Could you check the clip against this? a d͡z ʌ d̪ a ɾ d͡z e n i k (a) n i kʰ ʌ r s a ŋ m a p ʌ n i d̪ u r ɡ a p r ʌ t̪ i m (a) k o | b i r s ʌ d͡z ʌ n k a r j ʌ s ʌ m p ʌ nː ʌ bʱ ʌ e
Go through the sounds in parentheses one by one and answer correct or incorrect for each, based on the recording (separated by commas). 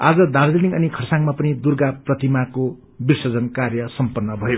incorrect, correct